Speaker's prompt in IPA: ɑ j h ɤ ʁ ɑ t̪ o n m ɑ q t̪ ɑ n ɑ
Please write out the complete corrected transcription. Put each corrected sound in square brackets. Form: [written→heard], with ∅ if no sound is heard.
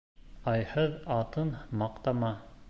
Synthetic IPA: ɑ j h ɤ [ʁ→ð] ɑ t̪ [o→ɤ] n m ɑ q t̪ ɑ [n→m] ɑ